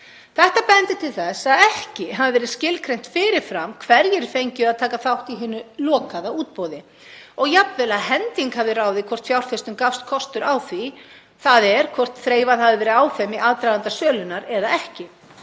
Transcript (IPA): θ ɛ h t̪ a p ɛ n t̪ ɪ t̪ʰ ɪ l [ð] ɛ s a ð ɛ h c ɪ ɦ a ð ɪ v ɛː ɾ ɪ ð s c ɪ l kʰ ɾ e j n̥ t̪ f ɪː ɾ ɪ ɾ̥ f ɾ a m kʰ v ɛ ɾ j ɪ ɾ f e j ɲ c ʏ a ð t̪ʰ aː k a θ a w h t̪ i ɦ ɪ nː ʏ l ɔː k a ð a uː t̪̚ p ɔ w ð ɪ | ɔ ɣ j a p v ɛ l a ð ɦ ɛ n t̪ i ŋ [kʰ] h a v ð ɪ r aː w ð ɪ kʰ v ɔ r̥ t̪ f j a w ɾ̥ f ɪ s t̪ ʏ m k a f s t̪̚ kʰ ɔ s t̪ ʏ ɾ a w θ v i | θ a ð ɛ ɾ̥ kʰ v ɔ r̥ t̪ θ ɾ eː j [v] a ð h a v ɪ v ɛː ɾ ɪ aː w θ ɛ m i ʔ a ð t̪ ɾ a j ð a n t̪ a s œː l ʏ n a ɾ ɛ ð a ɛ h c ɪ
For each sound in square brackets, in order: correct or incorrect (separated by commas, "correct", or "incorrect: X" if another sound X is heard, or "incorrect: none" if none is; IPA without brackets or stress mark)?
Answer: incorrect: θ, incorrect: k, correct